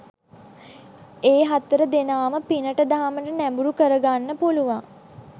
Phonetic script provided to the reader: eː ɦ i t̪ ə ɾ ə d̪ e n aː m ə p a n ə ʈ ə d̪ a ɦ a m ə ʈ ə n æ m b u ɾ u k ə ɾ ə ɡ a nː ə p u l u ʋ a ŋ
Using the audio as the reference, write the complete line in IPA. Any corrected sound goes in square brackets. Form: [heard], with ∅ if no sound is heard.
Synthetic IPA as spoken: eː ɦ [a] t̪ ə ɾ ə d̪ e n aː m ə p [i] n ə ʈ ə d̪ a ɦ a m ə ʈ ə n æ m b u ɾ u k ə ɾ ə ɡ a nː ə p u l u ʋ a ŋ